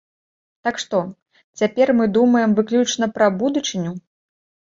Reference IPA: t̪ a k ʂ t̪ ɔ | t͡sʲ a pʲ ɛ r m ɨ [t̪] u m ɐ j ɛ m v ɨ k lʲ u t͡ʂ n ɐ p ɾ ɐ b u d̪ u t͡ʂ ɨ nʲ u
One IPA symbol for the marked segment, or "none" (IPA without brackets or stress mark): d̪